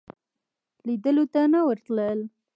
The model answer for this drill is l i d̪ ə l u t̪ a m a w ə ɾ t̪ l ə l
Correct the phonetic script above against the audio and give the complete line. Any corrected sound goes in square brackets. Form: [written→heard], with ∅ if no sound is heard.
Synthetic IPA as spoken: l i d̪ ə l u t̪ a [m→n] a w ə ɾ t̪ l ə l